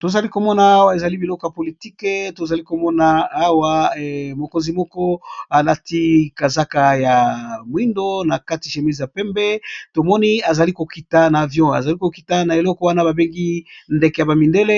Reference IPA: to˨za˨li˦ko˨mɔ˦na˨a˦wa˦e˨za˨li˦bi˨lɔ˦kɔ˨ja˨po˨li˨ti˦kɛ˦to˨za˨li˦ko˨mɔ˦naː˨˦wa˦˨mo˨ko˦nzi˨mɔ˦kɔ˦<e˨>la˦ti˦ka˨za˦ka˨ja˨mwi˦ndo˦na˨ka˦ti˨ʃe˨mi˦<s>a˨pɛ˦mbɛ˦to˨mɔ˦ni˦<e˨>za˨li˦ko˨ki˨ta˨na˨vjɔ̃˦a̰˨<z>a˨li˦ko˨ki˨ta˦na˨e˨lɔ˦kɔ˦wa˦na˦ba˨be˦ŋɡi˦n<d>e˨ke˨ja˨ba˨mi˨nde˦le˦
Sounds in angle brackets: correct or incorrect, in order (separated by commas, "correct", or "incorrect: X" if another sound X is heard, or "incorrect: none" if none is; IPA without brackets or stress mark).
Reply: incorrect: a˨, incorrect: z, incorrect: a˨, correct, correct